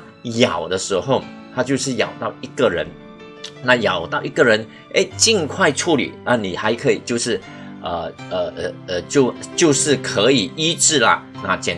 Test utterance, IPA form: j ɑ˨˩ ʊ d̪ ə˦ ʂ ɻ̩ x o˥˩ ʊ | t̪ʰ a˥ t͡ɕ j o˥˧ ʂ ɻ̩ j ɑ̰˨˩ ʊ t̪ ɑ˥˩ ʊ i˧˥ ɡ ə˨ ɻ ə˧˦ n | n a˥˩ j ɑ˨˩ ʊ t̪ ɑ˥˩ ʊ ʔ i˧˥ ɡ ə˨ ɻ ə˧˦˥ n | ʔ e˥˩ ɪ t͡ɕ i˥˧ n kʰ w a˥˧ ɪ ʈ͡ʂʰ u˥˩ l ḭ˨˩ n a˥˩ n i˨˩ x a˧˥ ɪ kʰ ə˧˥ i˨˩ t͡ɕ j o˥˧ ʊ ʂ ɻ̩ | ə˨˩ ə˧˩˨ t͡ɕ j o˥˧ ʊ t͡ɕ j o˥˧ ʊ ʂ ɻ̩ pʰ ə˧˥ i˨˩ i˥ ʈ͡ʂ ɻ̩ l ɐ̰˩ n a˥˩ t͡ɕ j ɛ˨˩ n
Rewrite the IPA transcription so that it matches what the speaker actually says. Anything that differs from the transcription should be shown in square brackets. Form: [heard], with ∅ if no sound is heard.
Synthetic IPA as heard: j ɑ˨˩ ʊ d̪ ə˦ ʂ ɻ̩ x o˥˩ ʊ | t̪ʰ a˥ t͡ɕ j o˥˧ ʂ ɻ̩ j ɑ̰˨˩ ʊ t̪ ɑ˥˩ ʊ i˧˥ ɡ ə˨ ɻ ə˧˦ n | n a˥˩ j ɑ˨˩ ʊ t̪ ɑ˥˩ ʊ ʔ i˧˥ ɡ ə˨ ɻ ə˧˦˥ n | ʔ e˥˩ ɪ t͡ɕ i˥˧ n kʰ w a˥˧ ɪ ʈ͡ʂʰ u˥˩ l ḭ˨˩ n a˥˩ n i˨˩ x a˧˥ ɪ kʰ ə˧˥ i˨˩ t͡ɕ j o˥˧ ʊ ʂ ɻ̩ | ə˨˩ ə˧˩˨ t͡ɕ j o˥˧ ʊ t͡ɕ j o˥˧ ʊ ʂ ɻ̩ [kʰ] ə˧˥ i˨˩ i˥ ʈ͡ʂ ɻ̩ l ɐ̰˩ n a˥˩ t͡ɕ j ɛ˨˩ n

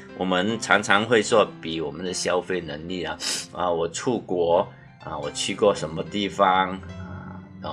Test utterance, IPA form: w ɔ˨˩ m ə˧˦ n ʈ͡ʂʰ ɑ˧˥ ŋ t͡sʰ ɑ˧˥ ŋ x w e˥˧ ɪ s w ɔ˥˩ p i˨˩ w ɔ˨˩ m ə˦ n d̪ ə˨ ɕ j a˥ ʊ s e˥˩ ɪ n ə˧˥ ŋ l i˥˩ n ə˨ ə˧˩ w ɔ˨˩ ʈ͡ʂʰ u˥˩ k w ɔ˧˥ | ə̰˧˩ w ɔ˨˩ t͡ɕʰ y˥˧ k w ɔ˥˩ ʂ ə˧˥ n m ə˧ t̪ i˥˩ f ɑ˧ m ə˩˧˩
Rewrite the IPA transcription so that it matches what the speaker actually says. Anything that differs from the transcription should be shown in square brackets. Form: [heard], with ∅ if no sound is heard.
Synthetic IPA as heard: w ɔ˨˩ m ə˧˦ n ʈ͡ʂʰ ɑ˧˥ ŋ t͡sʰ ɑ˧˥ ŋ x w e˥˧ ɪ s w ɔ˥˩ p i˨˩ w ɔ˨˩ m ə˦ n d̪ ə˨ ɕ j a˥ ʊ [f] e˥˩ ɪ n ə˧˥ ŋ l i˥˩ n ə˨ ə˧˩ w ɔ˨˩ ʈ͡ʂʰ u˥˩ k w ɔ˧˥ | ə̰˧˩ w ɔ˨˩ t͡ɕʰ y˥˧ k w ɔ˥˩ ʂ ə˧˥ n m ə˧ t̪ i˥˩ f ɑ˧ [ŋ] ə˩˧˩

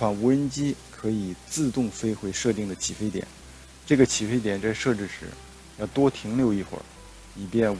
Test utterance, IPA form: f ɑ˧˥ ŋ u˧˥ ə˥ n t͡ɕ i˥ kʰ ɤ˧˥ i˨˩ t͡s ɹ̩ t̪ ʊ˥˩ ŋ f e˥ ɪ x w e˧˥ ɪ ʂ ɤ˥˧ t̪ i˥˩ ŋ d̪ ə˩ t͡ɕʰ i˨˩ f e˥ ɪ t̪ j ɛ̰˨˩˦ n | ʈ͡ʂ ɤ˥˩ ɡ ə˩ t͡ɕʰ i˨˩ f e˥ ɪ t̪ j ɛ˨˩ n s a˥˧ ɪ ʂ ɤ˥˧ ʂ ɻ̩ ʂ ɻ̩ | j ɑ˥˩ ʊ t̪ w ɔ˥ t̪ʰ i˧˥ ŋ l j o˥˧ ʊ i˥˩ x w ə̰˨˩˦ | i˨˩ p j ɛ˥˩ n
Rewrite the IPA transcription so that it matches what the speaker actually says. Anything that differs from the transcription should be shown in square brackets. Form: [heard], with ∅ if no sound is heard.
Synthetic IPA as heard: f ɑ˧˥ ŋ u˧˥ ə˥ n t͡ɕ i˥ kʰ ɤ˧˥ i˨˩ t͡s ɹ̩ t̪ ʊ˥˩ ŋ f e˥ ɪ x w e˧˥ ɪ ʂ ɤ˥˧ t̪ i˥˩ ŋ d̪ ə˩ t͡ɕʰ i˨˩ f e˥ ɪ t̪ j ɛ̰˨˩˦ n | ʈ͡ʂ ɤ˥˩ ɡ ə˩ t͡ɕʰ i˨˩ f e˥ ɪ t̪ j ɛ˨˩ n [t͡s] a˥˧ ɪ ʂ ɤ˥˧ [ʈ͡ʂ] ɻ̩ ʂ ɻ̩ | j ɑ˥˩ ʊ t̪ w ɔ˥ t̪ʰ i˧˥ ŋ l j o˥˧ ʊ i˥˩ x w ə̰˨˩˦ | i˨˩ p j ɛ˥˩ n

